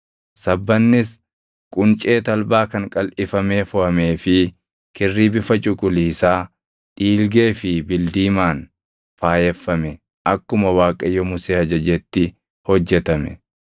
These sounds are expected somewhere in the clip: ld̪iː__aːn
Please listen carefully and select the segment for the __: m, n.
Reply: m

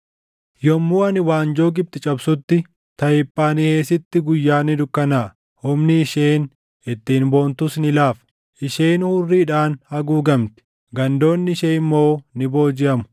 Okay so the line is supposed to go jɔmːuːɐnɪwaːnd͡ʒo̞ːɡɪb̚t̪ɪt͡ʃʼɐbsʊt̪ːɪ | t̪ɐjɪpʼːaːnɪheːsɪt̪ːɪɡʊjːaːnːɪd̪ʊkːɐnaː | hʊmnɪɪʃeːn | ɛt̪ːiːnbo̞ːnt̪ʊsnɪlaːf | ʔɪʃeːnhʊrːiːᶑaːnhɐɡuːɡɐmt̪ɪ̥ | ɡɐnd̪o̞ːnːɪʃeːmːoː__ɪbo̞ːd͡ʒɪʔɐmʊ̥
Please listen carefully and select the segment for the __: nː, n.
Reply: n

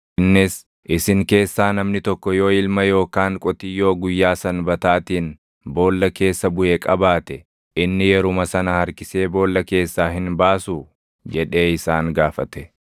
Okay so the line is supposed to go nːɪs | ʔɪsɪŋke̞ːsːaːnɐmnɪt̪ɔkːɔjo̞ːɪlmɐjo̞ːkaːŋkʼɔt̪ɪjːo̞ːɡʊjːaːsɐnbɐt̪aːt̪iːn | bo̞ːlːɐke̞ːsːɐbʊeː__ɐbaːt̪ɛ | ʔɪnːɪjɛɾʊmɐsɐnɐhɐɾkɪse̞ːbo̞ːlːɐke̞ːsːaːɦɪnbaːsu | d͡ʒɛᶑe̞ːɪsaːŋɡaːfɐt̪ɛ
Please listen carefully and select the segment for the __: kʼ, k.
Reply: kʼ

